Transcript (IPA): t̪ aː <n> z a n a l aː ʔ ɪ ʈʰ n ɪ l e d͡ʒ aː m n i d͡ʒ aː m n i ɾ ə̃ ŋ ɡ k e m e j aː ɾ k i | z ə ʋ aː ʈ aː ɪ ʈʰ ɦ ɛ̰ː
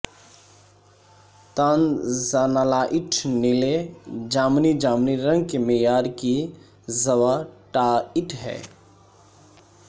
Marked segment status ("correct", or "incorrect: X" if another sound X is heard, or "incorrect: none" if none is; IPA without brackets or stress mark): correct